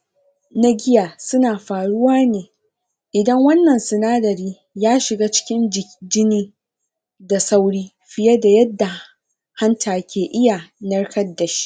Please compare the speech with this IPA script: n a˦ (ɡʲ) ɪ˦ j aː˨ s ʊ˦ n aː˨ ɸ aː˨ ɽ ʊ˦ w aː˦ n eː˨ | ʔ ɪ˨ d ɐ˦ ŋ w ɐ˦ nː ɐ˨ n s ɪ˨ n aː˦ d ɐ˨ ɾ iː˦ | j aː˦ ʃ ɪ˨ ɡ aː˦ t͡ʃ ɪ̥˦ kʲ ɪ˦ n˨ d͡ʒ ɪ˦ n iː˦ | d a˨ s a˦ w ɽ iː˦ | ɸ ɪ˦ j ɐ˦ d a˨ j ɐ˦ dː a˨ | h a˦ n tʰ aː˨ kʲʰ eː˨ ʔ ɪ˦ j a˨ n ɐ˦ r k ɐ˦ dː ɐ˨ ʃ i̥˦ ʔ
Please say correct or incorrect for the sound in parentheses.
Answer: correct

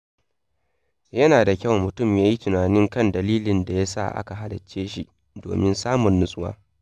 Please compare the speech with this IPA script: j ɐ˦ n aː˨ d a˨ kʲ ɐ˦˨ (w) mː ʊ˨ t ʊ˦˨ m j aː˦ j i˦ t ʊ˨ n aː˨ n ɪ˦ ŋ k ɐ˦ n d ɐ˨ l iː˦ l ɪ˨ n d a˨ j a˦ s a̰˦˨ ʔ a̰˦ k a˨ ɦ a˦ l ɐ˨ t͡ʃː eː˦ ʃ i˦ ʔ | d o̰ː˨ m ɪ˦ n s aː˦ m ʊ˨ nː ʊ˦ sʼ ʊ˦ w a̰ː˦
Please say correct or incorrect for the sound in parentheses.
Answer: correct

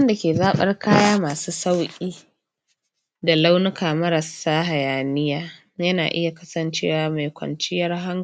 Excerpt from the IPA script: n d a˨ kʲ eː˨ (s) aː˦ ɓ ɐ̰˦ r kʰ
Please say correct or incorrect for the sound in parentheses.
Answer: incorrect: z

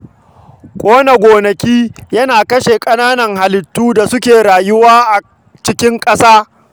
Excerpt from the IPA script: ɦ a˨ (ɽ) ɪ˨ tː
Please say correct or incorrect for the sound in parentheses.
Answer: incorrect: l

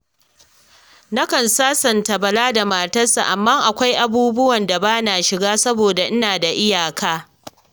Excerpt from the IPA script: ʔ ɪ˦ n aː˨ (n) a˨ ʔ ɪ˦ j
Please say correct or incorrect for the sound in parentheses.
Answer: incorrect: d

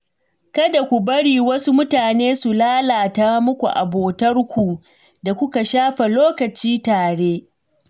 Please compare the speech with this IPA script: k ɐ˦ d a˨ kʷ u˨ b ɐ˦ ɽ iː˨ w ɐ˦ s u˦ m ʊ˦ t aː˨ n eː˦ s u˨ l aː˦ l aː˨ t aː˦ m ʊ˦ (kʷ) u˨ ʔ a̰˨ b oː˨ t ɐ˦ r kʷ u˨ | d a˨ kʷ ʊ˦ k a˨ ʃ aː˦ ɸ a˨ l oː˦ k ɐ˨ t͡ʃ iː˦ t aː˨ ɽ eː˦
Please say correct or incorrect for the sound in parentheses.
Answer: correct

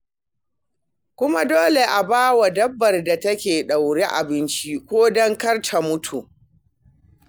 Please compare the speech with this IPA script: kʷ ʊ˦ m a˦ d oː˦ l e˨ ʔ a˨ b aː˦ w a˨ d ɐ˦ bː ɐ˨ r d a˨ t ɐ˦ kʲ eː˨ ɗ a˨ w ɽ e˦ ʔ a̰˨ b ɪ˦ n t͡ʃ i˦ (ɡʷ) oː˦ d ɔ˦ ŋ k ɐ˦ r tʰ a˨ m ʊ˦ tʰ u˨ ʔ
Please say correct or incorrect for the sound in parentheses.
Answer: incorrect: kʷ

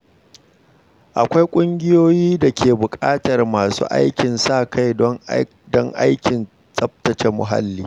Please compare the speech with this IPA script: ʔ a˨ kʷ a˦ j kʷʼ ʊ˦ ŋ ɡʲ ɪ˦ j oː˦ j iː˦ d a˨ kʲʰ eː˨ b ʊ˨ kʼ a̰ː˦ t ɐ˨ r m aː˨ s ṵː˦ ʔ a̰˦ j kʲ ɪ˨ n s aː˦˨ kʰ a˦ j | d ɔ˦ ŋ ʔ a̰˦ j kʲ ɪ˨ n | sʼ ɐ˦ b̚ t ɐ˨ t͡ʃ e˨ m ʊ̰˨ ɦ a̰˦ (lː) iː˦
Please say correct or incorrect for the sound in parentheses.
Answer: correct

